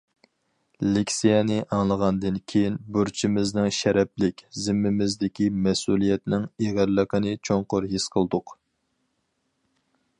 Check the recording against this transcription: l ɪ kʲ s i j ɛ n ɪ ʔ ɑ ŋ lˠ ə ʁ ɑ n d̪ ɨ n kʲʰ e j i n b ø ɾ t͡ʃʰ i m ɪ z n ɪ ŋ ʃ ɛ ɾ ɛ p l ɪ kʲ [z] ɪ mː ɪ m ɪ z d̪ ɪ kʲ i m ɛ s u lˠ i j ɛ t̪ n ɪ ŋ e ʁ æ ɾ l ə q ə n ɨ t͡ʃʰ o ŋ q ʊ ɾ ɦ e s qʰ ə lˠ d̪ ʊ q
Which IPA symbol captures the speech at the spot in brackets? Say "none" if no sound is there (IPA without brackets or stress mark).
z